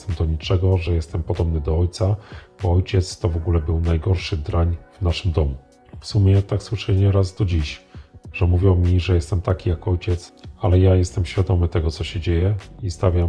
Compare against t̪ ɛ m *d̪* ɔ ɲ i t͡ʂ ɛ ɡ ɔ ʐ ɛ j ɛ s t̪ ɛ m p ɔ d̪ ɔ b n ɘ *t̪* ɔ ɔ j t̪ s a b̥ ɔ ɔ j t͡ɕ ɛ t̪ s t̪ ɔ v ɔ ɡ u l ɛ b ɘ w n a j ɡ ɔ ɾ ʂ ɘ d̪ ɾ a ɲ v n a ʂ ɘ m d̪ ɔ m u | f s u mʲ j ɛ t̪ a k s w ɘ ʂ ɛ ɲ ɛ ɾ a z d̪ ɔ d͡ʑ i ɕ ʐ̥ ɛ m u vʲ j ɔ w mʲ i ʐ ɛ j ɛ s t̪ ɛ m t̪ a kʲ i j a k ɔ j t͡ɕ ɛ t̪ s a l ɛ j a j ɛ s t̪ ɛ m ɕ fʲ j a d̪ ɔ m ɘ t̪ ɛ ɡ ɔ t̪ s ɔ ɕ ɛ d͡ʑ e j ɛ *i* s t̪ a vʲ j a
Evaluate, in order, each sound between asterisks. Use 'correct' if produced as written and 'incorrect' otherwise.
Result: correct, incorrect, correct

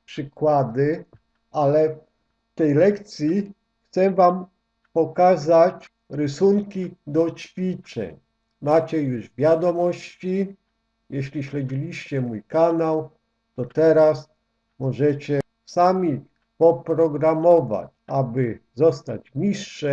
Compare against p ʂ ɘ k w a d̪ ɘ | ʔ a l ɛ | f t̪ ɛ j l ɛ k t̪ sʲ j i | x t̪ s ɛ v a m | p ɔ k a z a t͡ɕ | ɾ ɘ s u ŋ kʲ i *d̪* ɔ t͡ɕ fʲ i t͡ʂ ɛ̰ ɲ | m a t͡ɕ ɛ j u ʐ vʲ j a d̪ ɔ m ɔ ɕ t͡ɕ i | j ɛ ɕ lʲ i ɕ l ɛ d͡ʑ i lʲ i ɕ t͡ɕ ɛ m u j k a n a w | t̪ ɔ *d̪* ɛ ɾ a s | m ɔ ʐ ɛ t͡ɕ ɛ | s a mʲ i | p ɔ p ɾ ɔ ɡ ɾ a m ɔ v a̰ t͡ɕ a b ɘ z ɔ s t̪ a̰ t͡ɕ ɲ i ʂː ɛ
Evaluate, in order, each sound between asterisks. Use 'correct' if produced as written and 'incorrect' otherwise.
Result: correct, incorrect

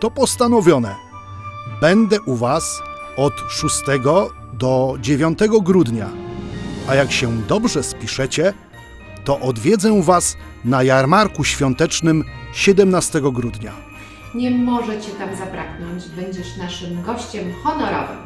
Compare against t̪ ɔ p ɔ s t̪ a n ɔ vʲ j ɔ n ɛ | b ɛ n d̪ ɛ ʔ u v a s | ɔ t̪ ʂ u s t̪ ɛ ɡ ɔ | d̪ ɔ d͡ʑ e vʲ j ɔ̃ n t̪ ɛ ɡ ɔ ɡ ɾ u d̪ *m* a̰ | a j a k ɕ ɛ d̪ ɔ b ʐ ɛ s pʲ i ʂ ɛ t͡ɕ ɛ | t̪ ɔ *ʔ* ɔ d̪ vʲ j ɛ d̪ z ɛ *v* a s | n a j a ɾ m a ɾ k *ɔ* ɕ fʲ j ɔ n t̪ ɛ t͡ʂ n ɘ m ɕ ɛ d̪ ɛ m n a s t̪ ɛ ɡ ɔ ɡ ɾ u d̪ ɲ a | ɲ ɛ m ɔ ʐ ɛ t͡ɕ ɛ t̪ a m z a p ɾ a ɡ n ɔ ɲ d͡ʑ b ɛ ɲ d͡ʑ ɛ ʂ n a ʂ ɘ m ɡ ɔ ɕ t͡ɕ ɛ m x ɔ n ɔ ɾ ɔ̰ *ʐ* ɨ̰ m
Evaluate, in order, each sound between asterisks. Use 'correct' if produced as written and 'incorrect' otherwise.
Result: incorrect, correct, correct, incorrect, incorrect

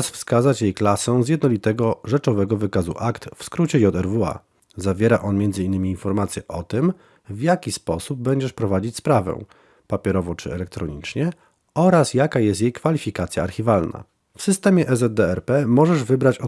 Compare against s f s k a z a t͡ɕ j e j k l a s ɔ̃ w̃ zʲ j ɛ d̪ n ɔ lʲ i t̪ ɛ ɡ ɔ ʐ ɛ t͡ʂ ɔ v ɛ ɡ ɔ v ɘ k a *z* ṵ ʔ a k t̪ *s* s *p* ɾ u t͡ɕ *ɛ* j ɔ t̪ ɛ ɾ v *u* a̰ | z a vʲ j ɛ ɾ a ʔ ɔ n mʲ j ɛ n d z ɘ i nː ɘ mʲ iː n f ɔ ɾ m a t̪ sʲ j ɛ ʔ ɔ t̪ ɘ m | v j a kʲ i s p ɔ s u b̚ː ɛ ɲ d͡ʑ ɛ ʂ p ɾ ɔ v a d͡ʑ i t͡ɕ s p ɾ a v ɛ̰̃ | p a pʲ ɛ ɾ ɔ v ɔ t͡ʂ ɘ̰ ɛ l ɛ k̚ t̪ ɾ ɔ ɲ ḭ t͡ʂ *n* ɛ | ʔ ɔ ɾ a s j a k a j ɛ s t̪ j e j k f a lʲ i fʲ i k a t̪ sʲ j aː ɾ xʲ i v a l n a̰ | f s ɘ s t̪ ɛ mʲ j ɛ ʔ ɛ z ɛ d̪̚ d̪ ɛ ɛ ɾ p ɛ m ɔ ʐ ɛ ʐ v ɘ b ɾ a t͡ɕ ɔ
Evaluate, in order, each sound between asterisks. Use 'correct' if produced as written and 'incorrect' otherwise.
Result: correct, incorrect, incorrect, correct, correct, incorrect

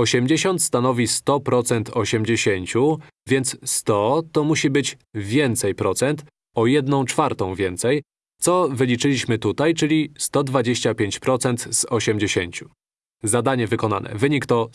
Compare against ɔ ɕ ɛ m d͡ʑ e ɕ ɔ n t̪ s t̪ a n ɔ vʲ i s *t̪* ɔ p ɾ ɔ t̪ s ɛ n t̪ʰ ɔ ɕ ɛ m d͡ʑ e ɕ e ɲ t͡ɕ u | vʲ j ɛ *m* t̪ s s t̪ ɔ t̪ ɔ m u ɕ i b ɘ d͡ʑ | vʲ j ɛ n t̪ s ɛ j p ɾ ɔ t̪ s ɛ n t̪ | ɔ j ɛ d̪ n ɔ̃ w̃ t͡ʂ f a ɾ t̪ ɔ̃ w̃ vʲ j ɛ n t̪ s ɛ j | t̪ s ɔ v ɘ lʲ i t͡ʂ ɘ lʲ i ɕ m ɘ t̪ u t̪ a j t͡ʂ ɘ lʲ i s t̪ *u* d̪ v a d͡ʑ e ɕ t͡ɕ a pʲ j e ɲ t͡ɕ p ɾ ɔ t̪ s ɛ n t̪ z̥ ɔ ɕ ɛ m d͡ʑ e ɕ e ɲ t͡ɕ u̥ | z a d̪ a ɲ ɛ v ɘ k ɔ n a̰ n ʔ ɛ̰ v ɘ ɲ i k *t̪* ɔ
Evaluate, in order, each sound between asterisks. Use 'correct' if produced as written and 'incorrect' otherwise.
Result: correct, incorrect, incorrect, correct

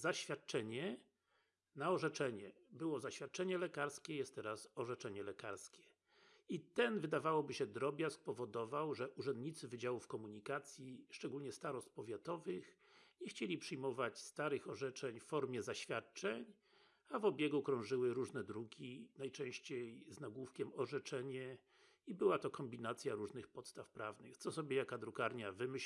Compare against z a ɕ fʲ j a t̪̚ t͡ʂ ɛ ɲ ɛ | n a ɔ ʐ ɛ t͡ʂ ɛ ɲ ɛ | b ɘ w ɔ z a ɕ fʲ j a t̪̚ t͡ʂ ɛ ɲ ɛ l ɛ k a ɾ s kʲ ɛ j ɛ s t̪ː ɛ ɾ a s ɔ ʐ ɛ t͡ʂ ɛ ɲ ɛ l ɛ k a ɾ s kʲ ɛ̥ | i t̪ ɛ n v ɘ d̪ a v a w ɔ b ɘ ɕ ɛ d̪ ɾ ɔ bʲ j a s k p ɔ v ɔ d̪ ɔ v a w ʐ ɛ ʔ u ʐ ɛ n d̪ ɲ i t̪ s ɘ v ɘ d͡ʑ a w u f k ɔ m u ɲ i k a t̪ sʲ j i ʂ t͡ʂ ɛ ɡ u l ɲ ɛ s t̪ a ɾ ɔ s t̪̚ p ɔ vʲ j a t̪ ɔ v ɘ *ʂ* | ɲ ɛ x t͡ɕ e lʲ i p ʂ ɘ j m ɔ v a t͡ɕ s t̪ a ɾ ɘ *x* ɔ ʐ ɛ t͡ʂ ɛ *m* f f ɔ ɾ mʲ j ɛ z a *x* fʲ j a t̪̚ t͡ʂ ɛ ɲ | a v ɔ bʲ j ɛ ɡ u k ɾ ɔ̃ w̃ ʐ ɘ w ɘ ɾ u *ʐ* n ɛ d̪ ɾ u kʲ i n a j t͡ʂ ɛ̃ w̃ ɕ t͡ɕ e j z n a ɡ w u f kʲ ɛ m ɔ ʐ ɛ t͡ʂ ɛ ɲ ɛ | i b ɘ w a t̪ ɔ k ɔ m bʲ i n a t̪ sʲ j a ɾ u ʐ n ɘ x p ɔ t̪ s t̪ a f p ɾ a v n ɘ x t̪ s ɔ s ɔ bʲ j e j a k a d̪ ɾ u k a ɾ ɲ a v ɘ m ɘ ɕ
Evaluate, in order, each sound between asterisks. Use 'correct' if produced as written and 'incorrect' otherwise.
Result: incorrect, correct, incorrect, incorrect, correct

